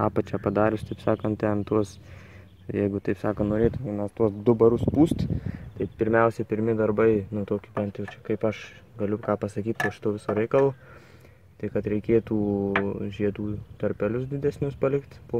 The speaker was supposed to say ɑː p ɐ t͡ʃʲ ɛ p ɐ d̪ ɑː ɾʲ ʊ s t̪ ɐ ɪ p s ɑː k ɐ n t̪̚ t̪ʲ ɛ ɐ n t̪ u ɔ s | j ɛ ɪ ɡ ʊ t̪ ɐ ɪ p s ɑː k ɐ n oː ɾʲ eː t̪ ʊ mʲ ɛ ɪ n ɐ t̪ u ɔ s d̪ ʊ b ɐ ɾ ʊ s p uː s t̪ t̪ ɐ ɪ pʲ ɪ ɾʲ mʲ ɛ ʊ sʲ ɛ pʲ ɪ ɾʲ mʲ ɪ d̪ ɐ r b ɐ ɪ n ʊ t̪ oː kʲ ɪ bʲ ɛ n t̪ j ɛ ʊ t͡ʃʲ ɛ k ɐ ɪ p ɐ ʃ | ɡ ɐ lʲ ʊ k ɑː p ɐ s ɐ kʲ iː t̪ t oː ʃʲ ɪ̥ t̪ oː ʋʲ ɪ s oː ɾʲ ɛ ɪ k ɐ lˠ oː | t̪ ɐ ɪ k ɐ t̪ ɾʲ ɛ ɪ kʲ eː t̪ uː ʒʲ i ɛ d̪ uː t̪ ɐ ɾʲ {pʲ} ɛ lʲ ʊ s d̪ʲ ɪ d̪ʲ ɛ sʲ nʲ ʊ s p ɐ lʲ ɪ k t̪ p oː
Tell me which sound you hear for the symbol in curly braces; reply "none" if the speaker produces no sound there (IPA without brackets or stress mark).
pʲ